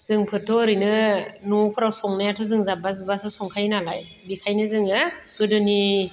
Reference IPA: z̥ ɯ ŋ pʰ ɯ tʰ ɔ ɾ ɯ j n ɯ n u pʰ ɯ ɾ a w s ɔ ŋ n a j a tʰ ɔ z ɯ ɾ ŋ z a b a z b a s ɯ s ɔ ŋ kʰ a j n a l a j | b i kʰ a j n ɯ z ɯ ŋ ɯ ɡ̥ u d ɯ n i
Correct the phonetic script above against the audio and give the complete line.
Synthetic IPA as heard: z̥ ɯ ŋ pʰ ɯ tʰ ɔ ɾ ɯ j n ɯ n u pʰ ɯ ɾ a w s ɔ ŋ n a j a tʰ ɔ z ɯ ŋ z a b a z b a s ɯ s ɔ ŋ kʰ a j n a l a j | b i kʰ a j n ɯ z ɯ ŋ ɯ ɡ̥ ɯ d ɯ n i